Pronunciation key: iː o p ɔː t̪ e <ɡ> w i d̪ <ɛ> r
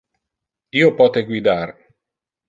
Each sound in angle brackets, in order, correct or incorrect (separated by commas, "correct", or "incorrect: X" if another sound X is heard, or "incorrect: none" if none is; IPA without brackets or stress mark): correct, incorrect: a